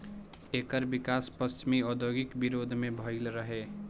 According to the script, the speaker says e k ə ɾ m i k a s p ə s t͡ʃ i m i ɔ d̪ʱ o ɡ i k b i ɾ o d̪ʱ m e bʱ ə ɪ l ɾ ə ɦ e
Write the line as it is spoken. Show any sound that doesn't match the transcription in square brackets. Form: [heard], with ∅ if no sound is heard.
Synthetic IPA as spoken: e k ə ɾ [b] i k a s p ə s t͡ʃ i m i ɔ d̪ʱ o ɡ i k b i ɾ o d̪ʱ m e bʱ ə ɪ l ɾ ə ɦ e